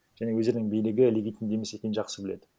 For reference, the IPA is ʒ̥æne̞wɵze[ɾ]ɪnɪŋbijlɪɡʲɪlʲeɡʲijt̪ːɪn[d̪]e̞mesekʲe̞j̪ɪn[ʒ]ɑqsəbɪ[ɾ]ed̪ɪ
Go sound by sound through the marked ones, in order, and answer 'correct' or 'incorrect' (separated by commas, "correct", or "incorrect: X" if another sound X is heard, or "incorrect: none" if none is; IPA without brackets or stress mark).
correct, correct, correct, incorrect: l